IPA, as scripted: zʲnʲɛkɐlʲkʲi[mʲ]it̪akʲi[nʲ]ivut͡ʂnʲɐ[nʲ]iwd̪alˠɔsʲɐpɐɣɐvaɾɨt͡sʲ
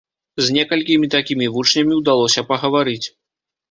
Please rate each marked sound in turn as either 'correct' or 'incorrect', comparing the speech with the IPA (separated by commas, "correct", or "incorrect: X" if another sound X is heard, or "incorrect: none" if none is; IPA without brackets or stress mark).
correct, incorrect: mʲ, incorrect: mʲ